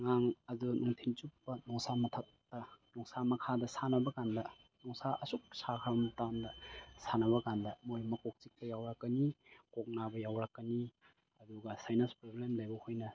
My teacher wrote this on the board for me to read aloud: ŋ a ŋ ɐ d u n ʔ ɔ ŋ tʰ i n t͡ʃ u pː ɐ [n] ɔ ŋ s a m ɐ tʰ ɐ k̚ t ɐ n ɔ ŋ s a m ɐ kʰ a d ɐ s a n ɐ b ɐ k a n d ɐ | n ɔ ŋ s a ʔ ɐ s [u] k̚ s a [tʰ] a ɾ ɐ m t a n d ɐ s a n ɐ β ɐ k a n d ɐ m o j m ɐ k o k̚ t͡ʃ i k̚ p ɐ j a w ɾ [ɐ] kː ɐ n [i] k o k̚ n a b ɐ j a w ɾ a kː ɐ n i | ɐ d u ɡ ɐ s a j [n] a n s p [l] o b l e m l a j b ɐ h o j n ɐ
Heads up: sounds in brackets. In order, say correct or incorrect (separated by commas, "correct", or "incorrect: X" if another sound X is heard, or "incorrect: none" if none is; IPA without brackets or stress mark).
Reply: correct, correct, incorrect: kʰ, incorrect: a, correct, correct, incorrect: ɾ